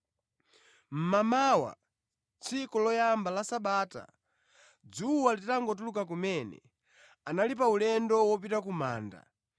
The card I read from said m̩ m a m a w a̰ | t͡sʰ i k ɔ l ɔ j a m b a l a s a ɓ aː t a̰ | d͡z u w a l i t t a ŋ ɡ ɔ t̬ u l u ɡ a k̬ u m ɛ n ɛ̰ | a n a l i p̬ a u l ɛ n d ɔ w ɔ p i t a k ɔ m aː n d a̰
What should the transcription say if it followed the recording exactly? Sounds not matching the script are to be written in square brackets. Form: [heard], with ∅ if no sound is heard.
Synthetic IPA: m̩ m a m a w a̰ | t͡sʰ i k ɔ l ɔ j a m b a l a s a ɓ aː t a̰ | d͡z u w a l i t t a ŋ ɡ ɔ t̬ u l u [k] a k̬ u m ɛ n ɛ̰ | a n a l i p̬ a u l ɛ n d ɔ w ɔ p i t a k [u] m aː n d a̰